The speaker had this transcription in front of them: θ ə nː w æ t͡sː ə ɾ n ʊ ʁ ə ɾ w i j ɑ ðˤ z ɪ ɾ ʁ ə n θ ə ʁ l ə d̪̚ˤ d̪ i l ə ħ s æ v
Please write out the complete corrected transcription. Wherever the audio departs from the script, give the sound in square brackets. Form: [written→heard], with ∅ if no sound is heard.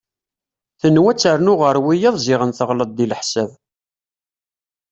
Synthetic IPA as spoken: θ ə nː w æ t͡sː ə ɾ n ʊ ʁ ə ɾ w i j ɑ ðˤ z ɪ [ɾ→∅] ʁ ə n θ ə ʁ l ə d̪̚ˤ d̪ i l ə ħ s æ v